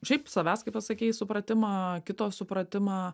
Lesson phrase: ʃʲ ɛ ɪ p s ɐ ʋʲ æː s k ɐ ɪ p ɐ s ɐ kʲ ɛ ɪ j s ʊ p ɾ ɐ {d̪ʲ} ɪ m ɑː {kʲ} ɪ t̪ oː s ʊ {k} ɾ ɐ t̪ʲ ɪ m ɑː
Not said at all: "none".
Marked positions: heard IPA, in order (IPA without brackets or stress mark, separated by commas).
t̪ʲ, kʲ, p